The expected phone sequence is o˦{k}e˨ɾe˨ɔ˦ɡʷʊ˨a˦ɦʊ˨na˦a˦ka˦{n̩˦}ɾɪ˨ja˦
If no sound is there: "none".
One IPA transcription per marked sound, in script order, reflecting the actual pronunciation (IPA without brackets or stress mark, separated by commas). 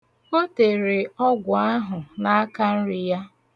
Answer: t, n̩˦